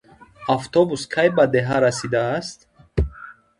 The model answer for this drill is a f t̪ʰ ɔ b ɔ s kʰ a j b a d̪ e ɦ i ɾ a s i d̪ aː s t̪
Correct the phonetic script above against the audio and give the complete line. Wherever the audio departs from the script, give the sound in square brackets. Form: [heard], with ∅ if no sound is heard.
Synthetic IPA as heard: a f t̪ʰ ɔ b [u] s kʰ a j b a d̪ e ɦ [a] ɾ a s i d̪ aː s t̪